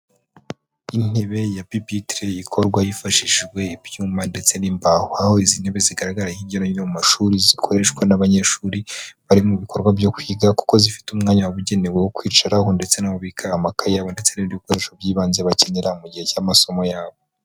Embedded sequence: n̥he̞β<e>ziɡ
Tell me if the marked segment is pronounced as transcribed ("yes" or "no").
yes